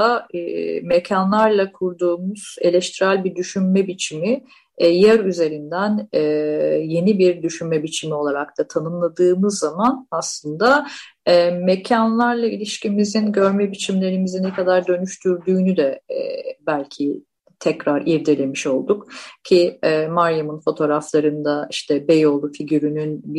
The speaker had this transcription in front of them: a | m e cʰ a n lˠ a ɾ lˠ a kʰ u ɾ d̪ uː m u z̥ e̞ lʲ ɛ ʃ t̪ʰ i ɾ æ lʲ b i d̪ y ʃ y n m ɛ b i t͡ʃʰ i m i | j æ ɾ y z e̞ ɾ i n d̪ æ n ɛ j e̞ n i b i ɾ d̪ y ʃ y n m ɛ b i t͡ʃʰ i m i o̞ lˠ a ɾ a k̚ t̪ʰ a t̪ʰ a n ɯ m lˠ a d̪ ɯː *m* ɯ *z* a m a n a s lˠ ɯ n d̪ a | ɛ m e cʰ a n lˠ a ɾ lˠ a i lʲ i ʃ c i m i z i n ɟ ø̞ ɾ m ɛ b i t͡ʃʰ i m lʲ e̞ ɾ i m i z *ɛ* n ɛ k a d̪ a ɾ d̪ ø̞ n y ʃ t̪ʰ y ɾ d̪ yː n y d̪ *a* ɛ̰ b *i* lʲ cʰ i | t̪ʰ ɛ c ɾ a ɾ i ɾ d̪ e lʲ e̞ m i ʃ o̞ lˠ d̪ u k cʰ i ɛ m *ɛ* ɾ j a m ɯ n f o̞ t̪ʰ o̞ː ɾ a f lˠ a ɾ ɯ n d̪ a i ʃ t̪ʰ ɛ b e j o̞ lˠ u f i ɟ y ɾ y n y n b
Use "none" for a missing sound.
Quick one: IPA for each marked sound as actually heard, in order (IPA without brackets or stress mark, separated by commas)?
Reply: m, zː, i, ɛ, æ, a